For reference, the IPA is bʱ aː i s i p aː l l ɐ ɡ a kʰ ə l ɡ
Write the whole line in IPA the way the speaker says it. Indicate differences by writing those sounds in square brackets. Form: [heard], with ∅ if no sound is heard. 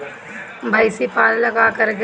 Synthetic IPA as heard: bʱ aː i s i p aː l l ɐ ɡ a [k] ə [ɾ] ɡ